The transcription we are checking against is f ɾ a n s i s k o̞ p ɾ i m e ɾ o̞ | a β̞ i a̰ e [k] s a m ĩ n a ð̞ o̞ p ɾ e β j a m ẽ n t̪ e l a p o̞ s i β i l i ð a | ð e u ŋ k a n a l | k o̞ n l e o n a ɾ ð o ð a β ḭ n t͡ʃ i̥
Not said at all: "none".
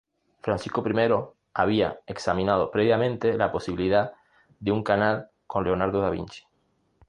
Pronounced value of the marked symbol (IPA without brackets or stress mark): k